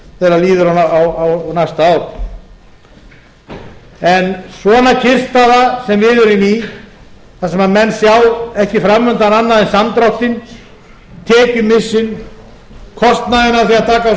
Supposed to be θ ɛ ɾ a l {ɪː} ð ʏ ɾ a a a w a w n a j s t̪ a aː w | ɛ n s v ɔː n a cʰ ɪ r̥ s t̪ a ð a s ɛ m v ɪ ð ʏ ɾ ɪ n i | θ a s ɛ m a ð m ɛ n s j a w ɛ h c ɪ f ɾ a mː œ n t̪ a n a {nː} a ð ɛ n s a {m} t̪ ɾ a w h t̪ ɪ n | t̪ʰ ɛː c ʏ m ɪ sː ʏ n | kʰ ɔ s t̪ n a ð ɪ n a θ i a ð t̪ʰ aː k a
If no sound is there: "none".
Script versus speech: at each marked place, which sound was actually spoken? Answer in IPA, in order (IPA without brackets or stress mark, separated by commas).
iː, nː, m